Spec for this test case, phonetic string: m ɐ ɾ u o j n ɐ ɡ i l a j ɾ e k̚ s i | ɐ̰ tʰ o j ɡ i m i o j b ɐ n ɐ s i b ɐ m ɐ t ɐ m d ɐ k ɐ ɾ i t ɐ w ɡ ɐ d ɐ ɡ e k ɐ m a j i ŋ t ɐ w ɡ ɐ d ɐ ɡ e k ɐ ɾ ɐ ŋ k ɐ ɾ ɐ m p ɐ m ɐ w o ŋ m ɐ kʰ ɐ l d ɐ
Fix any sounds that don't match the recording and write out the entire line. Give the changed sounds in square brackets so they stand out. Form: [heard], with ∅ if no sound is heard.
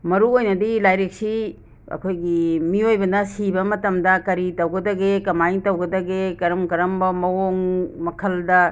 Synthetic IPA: m ɐ ɾ u o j n ɐ [d] i l a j ɾ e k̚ s i | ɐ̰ [kʰ] o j ɡ i m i o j b ɐ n ɐ s i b ɐ m ɐ t ɐ m d ɐ k ɐ ɾ i t ɐ w ɡ ɐ d ɐ ɡ e k ɐ m a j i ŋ t ɐ w ɡ ɐ d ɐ ɡ e k ɐ ɾ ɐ [m] k ɐ ɾ ɐ m [b] ɐ m ɐ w o ŋ m ɐ kʰ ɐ l d ɐ